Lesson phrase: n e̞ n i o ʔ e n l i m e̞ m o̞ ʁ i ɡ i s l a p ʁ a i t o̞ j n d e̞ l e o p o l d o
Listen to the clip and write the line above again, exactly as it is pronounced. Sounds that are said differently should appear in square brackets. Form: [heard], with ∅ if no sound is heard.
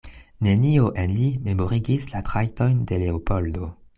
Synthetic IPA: n e̞ n i o ʔ e n l i m e̞ m o̞ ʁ i ɡ i s l a [t] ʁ a [j] t o̞ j n d e̞ l e o p o l d o